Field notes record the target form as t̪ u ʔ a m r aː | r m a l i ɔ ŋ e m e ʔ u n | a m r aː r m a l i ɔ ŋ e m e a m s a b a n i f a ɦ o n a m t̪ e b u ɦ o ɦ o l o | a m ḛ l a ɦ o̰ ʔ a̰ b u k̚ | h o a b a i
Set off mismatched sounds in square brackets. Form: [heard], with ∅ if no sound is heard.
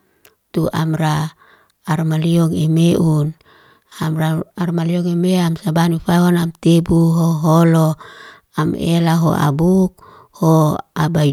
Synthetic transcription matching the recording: t̪ u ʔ a m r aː | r m a l i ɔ ŋ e m e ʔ u n | a m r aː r m a l i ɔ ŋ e m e a m s a b a n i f a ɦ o n a m t̪ e b u ɦ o ɦ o l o | a m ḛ l a ɦ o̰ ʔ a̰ b u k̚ | h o a b a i